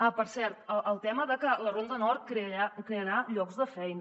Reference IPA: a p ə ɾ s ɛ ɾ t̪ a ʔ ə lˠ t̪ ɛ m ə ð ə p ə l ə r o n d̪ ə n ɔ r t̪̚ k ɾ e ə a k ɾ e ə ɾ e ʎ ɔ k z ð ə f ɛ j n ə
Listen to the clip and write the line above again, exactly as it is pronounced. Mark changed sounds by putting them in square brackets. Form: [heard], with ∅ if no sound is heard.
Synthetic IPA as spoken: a p ə ɾ s ɛ ɾ t̪ [ə] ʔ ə lˠ t̪ ɛ m ə ð ə [k] ə l ə r o n d̪ ə n ɔ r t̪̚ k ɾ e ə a k ɾ e ə ɾ [a] ʎ ɔ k z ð ə f ɛ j n ə